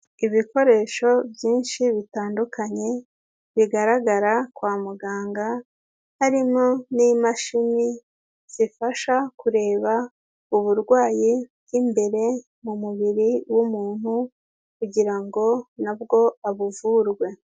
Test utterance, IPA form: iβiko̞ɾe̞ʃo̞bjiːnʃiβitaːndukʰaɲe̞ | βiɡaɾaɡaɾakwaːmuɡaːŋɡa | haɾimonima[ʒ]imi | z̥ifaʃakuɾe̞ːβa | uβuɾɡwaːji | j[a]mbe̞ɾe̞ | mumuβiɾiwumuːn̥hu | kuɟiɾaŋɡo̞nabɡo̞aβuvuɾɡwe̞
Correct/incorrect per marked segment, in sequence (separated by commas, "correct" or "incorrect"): incorrect, incorrect